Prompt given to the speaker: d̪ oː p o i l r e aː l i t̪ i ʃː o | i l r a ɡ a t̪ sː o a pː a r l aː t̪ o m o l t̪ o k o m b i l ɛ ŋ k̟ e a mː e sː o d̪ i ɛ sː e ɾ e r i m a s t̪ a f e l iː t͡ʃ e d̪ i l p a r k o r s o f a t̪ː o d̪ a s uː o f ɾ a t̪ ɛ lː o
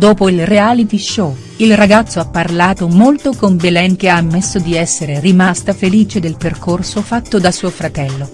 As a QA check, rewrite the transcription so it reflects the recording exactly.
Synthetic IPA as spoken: d̪ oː p o i l r e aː l i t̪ i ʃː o | i l r a ɡ a t̪ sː o a pː a r l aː t̪ o m o l t̪ o k o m b e l ɛ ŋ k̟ e a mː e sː o d̪ i ɛ sː e ɾ e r i m a s t̪ a f e l iː t͡ʃ e d̪ e l p e r k o r s o f a t̪ː o d̪ a s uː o f ɾ a t̪ ɛ lː o

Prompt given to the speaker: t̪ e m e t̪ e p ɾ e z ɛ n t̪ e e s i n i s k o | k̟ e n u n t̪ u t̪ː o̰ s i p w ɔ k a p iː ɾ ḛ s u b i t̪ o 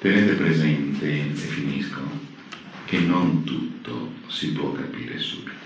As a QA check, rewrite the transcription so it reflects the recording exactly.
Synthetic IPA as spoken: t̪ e n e t̪ e p ɾ e z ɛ n t̪ e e f i n i s k o | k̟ e n o n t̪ u t̪ː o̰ s i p w ɔ k a p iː ɾ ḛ s u b i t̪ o

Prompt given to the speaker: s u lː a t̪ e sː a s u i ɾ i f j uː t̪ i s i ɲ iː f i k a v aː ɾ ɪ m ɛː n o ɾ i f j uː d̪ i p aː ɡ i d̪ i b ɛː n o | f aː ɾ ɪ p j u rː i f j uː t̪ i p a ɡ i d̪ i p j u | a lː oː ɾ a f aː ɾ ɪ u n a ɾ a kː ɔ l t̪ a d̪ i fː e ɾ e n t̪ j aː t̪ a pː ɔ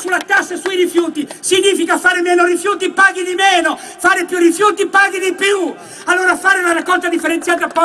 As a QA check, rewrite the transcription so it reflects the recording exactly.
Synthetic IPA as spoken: s u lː a t̪ a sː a s u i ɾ i f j uː t̪ i s i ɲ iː f i k a f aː ɾ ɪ m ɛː n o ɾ i f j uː t̪ i p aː ɡ i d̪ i m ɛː n o | f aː ɾ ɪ p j u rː i f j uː t̪ i p a ɡ i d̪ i p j u | a lː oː ɾ a f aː ɾ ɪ u n a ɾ a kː ɔ l t̪ a d̪ i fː e ɾ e n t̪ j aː t̪ a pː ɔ

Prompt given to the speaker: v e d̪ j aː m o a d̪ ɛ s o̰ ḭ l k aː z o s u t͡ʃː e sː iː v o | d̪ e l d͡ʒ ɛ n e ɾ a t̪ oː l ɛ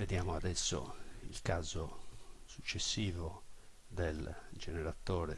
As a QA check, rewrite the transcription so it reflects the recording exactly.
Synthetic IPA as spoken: v e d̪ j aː m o a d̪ ɛ sː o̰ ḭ l k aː z o s u t͡ʃː e sː iː v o | d̪ e l d͡ʒ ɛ n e ɾ a t̪ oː ɾ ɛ

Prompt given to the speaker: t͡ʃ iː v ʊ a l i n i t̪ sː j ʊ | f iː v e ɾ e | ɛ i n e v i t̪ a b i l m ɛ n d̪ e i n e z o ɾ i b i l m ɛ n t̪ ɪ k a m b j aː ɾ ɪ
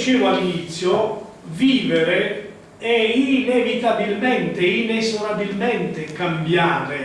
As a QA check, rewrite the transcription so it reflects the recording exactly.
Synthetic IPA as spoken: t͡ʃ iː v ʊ a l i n i t̪ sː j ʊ | v iː v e ɾ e | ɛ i n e v i t̪ a b i l m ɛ n t̪ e i n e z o ɾ a b i l m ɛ n t̪ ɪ k a m b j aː ɾ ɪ

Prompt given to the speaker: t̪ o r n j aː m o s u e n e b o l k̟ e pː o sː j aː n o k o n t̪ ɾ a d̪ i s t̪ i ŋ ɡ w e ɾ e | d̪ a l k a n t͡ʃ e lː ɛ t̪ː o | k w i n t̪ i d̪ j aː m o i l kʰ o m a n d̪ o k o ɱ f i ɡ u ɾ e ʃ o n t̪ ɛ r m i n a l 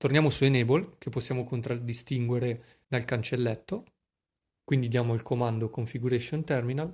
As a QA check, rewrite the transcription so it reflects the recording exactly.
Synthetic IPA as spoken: t̪ o r n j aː m o s u e n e b o l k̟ e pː o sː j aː m o k o n t̪ ɾ a d̪ i s t̪ i ŋ ɡ w e ɾ e | d̪ a l k a n t͡ʃ e lː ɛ t̪ː o | k w i n d̪ i d̪ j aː m o i l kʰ o m a n d̪ o k o ɱ f i ɡ u ɾ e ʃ o n t̪ ɛ r m i n a l

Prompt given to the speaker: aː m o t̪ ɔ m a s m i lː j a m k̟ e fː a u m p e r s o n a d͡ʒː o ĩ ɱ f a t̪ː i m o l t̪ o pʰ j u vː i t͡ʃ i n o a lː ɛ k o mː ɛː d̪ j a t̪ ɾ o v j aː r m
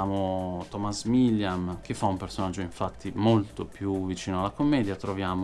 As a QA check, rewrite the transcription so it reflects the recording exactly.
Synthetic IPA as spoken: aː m o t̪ ɔ m a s m i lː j a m k̟ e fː a u m p e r s o n a d͡ʒː o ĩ ɱ f a t̪ː i m o l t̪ o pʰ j u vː i t͡ʃ iː n o a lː a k o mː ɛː d̪ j a t̪ ɾ o v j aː m

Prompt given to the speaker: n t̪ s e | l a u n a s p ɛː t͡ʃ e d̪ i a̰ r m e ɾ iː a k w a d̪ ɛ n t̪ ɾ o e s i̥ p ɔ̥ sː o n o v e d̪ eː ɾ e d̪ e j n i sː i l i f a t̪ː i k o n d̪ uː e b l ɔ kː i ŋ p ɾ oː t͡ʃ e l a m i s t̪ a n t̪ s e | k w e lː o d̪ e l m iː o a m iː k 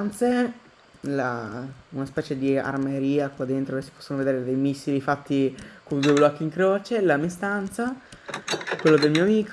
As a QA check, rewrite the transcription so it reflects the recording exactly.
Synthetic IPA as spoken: n t̪ s e | l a u n a s p ɛː t͡ʃ e d̪ i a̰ r m e ɾ iː a k w a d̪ e n t̪ ɾ o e s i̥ p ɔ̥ sː o n o v e d̪ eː ɾ e d̪ e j m i sː i l i f a t̪ː i k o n d̪ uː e b l ɔ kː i ŋ k ɾ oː t͡ʃ e l a m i s t̪ a n t̪ s a | k w e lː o d̪ e l m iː o a m iː k

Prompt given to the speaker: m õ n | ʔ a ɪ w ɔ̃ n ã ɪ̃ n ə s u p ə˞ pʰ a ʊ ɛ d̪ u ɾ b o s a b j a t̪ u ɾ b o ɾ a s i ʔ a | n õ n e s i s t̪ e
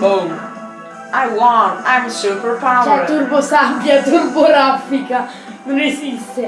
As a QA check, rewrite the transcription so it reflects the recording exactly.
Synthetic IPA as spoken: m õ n | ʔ a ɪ w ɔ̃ n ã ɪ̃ m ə s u p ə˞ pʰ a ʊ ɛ t̪ u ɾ b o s a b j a t̪ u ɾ b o ɾ a f i k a | n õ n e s i s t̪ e

